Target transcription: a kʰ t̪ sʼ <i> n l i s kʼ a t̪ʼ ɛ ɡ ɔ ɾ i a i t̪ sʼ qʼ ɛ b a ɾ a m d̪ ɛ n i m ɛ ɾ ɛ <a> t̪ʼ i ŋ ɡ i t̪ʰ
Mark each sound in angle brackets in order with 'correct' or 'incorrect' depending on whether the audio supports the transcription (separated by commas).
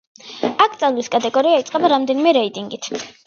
incorrect, incorrect